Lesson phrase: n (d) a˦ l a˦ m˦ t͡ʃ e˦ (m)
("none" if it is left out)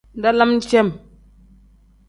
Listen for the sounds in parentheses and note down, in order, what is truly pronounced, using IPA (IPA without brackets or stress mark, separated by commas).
d, m